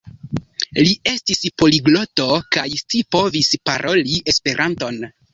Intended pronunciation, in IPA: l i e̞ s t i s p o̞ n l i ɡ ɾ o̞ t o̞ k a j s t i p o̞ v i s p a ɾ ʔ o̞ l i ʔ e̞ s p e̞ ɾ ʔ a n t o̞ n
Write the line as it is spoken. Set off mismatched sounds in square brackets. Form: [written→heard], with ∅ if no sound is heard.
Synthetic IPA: l i e̞ s t i s p o̞ [n→∅] l i ɡ [ɾ→l] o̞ t o̞ k a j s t i p o̞ v i s p a ɾ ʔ o̞ l i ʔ e̞ s p e̞ ɾ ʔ a n t o̞ n

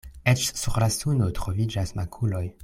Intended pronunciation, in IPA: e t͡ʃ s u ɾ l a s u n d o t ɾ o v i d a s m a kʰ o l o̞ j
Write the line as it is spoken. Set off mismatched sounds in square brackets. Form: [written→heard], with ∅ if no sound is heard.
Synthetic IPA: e t͡ʃ s u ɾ l a s u n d o t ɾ o v i [d→d͡ʒ] a s m a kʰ [o→u] l o̞ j

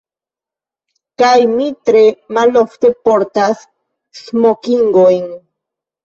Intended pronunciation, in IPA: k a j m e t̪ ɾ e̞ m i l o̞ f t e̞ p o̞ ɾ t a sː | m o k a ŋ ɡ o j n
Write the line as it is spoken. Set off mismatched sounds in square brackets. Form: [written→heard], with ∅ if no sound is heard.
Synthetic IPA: k a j m [e→i] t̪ ɾ e̞ m [i→a] l o̞ f t e̞ p o̞ ɾ t a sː | m o k [a→i] ŋ ɡ o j n

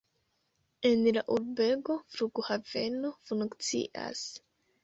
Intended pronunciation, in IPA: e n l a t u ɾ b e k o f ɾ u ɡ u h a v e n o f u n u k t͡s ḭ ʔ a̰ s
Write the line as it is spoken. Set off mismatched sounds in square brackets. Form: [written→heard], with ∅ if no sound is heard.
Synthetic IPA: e n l a [t→ʔ] u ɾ b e [k→ɡ] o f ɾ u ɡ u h a v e n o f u n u k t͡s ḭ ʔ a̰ s

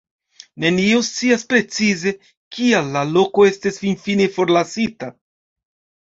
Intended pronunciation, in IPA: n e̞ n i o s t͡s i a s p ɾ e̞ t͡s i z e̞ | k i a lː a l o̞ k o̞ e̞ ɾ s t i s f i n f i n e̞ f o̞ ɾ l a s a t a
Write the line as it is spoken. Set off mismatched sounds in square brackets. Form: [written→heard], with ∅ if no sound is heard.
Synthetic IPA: n e̞ n i o s t͡s i a s p ɾ e̞ t͡s i z e̞ | k i a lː a l o̞ k o̞ e̞ [ɾ→∅] s t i s f i n f i n e̞ f o̞ ɾ l a s [a→i] t a

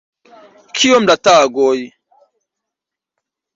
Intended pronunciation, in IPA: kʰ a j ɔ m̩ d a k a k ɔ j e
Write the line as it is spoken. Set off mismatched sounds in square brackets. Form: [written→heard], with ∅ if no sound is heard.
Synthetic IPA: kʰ [a→i] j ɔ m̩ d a [k→t] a [k→ɡ] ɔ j [e→i]

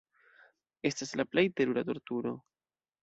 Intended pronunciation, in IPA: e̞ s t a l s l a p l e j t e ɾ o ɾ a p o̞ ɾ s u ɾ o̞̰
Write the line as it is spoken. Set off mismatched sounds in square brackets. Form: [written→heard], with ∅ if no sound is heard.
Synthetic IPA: e̞ s t a [l→∅] s l a p l e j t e ɾ [o→u] ɾ a [p→t] o̞ ɾ [s→t] u ɾ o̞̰

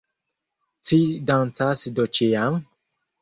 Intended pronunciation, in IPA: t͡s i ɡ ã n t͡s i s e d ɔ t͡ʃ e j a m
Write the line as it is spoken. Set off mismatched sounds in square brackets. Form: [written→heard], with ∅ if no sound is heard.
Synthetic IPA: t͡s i [ɡ→d] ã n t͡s [i→a] s [e→i] d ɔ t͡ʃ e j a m

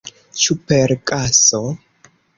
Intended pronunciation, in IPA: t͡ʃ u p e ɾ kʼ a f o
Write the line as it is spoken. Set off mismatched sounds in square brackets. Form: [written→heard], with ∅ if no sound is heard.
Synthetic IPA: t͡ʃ u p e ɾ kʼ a [f→s] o

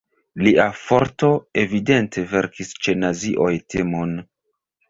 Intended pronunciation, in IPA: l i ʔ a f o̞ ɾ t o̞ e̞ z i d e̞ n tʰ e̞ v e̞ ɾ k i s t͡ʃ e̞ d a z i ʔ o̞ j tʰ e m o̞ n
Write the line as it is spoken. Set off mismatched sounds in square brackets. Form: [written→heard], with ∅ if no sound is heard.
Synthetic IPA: l i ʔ a f o̞ ɾ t o̞ e̞ [z→v] i d e̞ n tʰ e̞ v e̞ ɾ k i s t͡ʃ e̞ [d→n] a z i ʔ o̞ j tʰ e m o̞ n

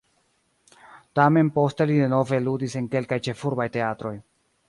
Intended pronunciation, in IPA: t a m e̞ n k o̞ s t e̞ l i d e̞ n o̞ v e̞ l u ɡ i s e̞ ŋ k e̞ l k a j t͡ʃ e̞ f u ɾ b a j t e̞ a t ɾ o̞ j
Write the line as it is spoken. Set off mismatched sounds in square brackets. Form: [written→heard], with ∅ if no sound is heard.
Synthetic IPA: t a m e̞ n [k→p] o̞ s t e̞ l i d e̞ n o̞ v e̞ l u [ɡ→d] i s e̞ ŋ k e̞ l k a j t͡ʃ e̞ f u ɾ b a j t e̞ a t ɾ o̞ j

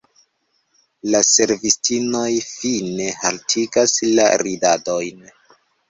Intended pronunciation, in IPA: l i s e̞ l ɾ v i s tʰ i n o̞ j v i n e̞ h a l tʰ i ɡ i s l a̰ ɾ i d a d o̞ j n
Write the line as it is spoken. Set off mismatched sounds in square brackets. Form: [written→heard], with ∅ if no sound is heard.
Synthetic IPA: l [i→a] s e̞ [l→∅] ɾ v i s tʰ i n o̞ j [v→f] i n e̞ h a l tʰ i ɡ [i→a] s l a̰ ɾ i d a d o̞ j n

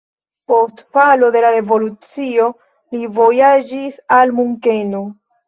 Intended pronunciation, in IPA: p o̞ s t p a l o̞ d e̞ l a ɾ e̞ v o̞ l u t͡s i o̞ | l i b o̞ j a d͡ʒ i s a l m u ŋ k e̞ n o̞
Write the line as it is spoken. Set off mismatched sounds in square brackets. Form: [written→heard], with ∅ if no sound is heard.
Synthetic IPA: p o̞ s t p a l o̞ d e̞ l a ɾ e̞ v o̞ l u t͡s i o̞ | l i [b→v] o̞ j a d͡ʒ i s a l m u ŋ k e̞ n o̞

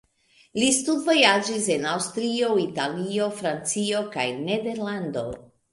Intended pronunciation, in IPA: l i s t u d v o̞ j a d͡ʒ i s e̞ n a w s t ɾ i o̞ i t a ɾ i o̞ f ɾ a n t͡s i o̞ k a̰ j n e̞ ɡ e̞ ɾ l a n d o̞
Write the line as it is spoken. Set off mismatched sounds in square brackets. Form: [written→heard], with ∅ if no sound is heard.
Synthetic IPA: l i s t u d v o̞ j a d͡ʒ i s e̞ n a w s t ɾ i o̞ i t a [ɾ→l] i o̞ f ɾ a n t͡s i o̞ k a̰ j n e̞ [ɡ→d] e̞ ɾ l a n d o̞

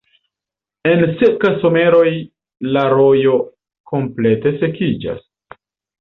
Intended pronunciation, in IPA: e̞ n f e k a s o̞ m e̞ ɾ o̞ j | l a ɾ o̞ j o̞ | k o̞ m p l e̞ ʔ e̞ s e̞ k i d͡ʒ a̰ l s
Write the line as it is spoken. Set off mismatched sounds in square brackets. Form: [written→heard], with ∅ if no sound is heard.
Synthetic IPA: e̞ n [f→s] e k a s o̞ m e̞ ɾ o̞ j | l a ɾ o̞ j o̞ | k o̞ m p l e̞ [ʔ→t] e̞ s e̞ k i d͡ʒ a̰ [l→∅] s

